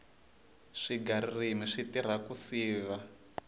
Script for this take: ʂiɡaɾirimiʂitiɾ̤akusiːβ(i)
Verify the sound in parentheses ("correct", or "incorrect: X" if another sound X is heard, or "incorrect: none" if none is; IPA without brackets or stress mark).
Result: incorrect: a